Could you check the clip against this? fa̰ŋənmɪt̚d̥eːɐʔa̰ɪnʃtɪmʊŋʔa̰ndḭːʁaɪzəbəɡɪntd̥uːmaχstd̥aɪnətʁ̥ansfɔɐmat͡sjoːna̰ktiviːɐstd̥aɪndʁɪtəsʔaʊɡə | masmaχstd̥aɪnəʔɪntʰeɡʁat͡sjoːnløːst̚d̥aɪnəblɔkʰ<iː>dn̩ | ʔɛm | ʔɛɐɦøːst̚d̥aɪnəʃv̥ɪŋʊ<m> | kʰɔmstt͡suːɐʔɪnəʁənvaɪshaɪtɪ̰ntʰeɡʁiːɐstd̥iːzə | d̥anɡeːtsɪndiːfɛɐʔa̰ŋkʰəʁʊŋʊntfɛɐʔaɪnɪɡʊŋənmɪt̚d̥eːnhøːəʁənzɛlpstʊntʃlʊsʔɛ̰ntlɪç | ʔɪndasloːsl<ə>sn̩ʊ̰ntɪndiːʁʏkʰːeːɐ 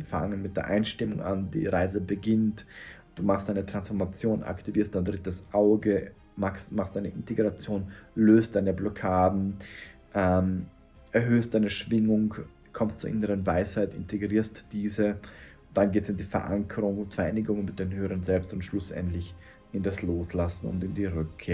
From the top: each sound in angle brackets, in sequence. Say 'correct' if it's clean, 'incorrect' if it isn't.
incorrect, incorrect, incorrect

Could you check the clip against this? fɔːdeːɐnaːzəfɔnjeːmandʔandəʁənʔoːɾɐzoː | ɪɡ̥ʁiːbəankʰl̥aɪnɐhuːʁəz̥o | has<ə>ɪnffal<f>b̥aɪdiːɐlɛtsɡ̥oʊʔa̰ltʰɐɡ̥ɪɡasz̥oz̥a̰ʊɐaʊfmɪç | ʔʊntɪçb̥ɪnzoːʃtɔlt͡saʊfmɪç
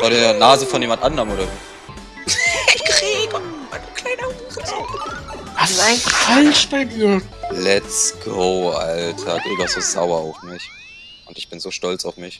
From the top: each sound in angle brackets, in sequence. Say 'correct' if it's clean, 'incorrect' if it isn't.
incorrect, incorrect

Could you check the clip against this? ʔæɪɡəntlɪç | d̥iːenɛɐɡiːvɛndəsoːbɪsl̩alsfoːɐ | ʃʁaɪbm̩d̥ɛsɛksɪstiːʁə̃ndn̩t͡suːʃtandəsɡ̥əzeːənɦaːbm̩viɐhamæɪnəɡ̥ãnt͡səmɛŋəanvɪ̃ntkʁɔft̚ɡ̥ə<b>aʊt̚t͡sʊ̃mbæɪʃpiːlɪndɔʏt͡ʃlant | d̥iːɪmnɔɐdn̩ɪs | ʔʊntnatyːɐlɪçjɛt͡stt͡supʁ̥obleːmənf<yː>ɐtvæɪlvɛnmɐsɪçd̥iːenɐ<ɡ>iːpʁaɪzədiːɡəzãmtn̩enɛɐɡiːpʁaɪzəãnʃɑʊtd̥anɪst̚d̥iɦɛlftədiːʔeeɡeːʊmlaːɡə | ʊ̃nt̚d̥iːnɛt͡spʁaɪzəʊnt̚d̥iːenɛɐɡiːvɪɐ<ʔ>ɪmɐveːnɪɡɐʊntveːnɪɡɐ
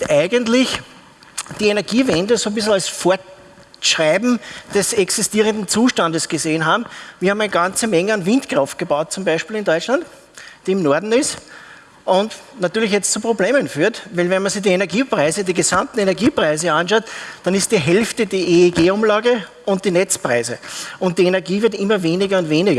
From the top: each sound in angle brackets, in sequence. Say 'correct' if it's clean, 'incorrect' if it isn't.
correct, correct, correct, incorrect

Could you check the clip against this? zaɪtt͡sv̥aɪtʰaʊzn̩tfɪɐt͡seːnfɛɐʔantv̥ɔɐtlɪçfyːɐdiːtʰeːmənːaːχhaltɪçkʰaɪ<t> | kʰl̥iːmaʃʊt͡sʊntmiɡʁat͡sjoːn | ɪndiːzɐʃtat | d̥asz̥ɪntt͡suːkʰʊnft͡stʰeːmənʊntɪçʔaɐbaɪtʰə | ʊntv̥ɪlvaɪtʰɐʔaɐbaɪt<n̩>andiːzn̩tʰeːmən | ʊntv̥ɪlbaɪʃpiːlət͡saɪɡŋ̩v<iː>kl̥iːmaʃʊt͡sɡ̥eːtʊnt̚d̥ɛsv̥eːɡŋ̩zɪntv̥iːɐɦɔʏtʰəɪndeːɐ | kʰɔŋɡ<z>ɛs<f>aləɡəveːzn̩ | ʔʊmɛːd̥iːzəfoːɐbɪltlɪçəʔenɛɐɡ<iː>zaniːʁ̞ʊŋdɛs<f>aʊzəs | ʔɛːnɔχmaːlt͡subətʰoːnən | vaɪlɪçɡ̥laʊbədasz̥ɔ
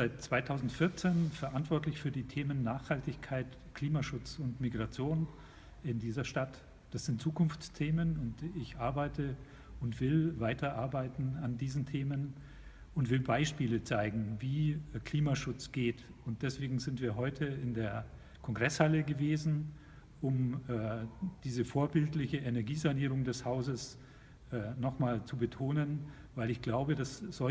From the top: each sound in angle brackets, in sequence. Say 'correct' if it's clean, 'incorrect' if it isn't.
correct, correct, correct, incorrect, incorrect, correct, incorrect

